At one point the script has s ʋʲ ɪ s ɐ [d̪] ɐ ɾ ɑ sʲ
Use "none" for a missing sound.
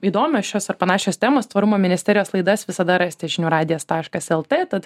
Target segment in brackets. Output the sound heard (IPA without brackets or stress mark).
d̪